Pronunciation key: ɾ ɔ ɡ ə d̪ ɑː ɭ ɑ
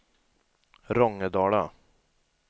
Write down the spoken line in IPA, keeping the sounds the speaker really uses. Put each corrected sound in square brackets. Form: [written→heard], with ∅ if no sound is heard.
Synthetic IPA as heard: ɾ ɔ [ɡ→ŋ] ə d̪ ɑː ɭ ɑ